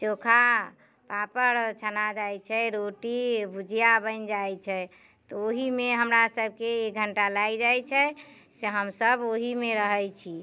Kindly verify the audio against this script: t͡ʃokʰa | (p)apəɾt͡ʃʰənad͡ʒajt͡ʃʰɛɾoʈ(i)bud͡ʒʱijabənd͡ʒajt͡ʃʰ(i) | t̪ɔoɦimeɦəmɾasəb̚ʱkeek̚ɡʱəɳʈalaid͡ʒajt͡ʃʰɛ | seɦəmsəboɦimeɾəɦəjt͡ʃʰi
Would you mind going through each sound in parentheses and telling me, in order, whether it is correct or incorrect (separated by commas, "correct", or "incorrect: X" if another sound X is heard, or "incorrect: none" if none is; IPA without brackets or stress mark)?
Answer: correct, correct, incorrect: ɛ